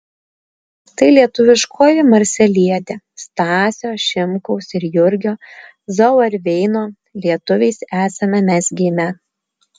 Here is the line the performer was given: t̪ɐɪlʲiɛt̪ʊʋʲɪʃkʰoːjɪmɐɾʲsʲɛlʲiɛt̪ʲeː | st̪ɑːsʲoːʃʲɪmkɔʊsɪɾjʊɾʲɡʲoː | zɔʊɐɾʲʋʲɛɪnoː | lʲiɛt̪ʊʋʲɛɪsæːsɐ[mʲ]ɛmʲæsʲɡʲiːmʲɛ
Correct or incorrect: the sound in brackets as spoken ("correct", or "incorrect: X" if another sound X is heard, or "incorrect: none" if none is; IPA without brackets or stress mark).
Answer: correct